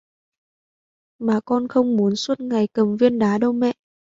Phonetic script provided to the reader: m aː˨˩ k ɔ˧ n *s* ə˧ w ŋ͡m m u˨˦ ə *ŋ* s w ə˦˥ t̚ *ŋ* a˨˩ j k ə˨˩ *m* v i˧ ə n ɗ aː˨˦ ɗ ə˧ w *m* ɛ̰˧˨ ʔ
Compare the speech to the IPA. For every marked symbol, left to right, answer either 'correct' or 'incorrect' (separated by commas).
incorrect, incorrect, correct, correct, correct